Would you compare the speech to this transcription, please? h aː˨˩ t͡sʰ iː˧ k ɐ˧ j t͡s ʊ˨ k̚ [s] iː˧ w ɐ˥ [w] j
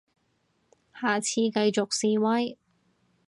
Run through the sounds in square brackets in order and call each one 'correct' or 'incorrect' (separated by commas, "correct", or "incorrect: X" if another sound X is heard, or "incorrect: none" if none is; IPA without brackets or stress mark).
correct, incorrect: none